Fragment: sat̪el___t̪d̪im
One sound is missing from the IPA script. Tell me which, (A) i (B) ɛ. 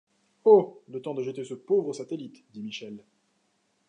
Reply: A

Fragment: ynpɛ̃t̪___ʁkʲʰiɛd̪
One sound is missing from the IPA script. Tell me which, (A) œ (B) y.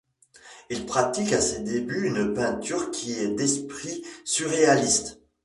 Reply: B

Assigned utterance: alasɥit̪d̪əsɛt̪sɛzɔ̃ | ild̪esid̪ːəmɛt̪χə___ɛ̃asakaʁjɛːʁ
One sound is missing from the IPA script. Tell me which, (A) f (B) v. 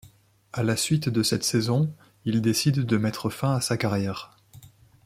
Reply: A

